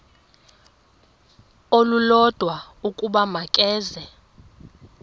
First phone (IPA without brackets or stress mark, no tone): o